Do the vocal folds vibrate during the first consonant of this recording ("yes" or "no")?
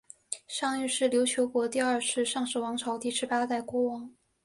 no